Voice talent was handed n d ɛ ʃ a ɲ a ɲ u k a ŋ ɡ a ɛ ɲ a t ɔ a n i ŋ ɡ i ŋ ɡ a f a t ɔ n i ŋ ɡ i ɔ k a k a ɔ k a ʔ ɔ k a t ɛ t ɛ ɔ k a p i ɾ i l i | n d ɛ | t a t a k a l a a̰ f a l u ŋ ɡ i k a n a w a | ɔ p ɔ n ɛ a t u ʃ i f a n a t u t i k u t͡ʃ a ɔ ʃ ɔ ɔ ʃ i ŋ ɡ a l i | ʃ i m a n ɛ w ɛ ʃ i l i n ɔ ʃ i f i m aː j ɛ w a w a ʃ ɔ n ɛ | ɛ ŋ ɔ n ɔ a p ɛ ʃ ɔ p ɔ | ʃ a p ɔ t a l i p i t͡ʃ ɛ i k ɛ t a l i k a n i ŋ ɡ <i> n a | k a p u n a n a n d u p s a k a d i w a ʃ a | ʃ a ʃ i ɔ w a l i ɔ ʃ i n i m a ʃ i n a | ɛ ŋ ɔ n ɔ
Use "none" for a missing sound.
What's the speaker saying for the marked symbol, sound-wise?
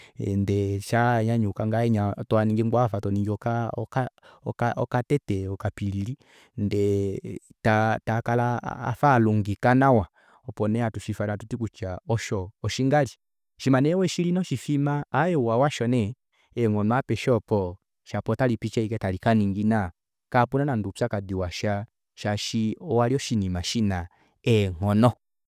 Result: i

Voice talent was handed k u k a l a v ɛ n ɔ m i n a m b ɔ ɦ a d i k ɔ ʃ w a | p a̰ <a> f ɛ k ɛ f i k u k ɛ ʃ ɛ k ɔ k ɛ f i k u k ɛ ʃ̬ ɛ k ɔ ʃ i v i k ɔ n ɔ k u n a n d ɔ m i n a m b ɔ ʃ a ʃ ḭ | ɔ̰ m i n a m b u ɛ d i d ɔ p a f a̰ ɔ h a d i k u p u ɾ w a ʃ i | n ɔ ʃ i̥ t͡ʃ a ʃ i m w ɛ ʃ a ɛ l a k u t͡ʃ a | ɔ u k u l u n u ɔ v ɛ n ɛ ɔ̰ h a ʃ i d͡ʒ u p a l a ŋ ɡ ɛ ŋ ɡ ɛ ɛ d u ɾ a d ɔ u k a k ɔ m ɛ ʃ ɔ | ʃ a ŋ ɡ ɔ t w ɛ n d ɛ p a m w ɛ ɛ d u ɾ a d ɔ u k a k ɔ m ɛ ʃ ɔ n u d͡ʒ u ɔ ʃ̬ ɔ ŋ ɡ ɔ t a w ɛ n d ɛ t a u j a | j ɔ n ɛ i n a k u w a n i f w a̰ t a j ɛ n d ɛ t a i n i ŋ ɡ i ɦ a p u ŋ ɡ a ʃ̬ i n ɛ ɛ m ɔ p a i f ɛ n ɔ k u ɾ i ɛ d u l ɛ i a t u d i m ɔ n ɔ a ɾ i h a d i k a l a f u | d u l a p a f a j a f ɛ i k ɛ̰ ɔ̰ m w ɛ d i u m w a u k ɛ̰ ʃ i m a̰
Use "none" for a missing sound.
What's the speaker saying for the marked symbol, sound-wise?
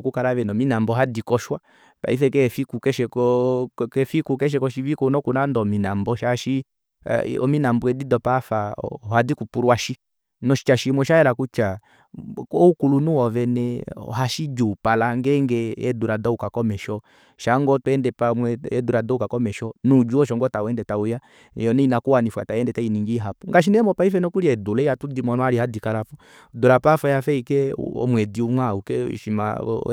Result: i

